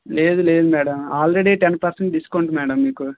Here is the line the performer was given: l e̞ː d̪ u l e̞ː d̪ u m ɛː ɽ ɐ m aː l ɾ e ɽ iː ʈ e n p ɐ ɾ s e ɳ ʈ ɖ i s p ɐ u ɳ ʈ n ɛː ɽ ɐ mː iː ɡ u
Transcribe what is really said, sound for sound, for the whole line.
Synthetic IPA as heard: l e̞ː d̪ u l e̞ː d̪ u m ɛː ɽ ɐ m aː l ɾ e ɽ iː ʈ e n p ɐ ɾ s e ɳ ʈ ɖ i s k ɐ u ɳ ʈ m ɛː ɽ ɐ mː iː k u